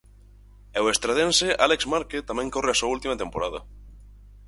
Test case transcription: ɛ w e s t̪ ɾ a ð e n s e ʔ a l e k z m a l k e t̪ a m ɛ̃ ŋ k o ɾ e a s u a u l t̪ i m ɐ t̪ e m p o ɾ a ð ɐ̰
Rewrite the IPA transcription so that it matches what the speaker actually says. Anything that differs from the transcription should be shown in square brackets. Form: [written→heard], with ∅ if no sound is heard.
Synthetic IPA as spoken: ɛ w e s t̪ ɾ a ð e n s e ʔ a l e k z m a [l→ɾ] k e t̪ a m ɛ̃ ŋ k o [ɾ→r] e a s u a u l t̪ i m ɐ t̪ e m p o ɾ a ð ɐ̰